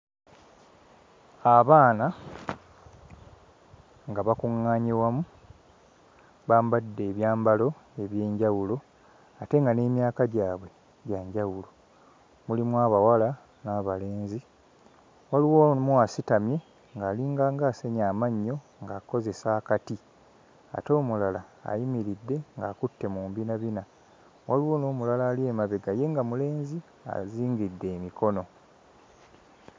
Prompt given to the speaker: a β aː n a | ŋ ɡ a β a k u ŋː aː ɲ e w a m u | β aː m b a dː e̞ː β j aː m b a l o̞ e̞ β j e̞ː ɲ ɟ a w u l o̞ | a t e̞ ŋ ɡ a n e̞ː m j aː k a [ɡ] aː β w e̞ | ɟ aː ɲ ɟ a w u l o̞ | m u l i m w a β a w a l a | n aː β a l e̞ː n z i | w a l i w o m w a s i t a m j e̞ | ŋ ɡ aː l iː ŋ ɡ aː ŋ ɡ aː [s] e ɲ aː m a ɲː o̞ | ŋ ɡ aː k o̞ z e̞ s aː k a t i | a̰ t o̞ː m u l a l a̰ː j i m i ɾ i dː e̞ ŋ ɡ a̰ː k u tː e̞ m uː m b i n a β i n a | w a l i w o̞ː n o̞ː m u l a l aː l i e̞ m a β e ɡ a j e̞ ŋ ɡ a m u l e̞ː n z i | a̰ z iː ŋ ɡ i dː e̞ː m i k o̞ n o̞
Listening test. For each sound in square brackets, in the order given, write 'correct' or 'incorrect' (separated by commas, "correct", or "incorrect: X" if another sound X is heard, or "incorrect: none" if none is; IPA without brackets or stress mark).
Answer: incorrect: ɟ, correct